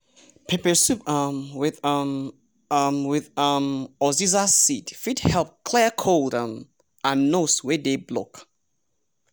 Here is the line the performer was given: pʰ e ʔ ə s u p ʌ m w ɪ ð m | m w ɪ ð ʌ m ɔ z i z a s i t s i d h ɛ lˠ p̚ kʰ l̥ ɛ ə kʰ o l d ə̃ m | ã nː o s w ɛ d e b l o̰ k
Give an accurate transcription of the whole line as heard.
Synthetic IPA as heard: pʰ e p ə s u p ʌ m w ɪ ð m | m w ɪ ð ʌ m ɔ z i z a s i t f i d h ɛ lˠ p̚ kʰ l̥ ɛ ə kʰ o l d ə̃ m | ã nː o s w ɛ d e b l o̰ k